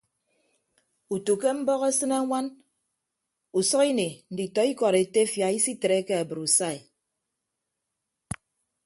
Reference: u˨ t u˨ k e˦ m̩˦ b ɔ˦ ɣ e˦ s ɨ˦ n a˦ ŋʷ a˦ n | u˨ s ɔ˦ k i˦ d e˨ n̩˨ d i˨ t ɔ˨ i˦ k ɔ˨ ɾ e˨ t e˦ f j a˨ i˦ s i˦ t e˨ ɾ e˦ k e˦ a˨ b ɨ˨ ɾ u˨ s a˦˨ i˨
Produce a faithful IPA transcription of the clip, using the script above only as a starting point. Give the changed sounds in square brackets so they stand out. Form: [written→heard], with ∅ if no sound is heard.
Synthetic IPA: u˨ t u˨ k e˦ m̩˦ b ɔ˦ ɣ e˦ s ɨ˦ n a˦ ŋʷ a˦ n | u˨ s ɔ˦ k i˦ [d→n] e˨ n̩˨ d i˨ t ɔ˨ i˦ k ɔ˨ ɾ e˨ t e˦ f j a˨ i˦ s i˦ t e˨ ɾ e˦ k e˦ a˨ b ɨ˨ ɾ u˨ s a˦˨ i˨